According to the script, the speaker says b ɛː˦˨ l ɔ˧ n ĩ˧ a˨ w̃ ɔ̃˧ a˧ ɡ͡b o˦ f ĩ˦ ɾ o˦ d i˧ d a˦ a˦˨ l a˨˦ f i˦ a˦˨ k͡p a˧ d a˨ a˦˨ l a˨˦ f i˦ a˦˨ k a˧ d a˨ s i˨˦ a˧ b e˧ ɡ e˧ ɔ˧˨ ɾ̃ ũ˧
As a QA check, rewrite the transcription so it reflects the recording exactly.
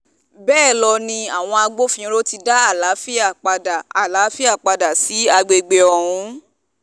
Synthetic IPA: b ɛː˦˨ l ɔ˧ n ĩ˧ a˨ w̃ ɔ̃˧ a˧ ɡ͡b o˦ f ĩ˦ ɾ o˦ t i˧ d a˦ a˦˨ l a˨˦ f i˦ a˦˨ k͡p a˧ d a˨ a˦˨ l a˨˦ f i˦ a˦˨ k͡p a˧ d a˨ s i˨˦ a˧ ɡ͡b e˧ ɡ͡b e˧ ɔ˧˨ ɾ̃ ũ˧

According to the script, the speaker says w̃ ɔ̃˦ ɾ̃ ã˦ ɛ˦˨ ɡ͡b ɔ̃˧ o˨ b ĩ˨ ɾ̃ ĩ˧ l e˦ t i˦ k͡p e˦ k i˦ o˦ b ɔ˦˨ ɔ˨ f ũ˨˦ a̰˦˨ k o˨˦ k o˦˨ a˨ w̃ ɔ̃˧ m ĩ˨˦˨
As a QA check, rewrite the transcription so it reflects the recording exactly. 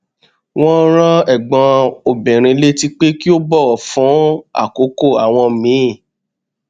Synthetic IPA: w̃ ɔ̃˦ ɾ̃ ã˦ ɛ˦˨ ɡ͡b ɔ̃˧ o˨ b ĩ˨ ɾ̃ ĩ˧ l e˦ t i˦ k͡p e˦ k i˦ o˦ b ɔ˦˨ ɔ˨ f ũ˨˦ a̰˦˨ k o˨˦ k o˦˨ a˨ w̃ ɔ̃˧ m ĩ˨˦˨

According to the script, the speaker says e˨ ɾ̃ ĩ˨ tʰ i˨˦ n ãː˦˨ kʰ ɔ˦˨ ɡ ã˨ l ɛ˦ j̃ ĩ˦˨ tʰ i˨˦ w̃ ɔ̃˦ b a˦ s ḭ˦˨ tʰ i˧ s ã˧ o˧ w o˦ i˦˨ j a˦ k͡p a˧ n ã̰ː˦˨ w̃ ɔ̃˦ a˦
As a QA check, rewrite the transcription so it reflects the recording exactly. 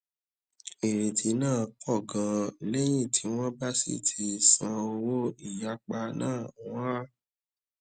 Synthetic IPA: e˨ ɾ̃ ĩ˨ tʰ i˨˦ n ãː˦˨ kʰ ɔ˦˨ ɡ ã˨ l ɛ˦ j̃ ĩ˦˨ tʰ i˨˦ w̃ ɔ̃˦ b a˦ s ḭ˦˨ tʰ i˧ s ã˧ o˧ w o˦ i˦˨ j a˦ k͡p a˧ n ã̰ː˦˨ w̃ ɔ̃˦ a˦

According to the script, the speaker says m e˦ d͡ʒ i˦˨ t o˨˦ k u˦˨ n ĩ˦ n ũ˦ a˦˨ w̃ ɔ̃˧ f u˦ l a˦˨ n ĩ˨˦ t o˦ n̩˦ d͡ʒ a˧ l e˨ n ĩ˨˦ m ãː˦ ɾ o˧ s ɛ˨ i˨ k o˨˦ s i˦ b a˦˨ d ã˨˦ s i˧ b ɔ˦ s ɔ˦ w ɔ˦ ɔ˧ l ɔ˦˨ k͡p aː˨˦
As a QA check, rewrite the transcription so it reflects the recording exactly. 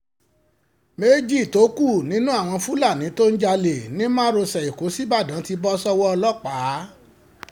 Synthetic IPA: m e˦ d͡ʒ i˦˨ t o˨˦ k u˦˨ n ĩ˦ n ũ˦ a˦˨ w̃ ɔ̃˧ f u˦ l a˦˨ n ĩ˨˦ t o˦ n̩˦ d͡ʒ a˧ l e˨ n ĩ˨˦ m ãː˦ ɾ o˧ s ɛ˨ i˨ k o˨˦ s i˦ b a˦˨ d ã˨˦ t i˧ b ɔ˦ s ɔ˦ w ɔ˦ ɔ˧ l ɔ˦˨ k͡p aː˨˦

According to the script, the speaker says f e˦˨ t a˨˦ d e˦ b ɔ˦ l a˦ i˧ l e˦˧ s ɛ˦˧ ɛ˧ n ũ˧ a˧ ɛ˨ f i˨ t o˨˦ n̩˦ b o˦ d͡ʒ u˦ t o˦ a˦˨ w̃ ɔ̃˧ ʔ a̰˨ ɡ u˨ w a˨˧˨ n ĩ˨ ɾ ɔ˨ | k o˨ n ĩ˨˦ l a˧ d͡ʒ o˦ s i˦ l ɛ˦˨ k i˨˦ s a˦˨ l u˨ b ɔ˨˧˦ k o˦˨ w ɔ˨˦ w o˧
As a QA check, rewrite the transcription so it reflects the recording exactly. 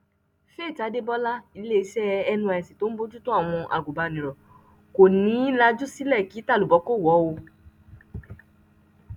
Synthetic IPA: f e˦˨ t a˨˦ d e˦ b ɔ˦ l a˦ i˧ l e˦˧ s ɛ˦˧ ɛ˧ n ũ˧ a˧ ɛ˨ s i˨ t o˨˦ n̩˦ b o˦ d͡ʒ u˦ t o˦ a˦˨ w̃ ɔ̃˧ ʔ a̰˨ ɡ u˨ b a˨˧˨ n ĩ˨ ɾ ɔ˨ | k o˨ n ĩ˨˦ l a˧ d͡ʒ u˦ s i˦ l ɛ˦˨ k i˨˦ t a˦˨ l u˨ b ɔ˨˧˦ k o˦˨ w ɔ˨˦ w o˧

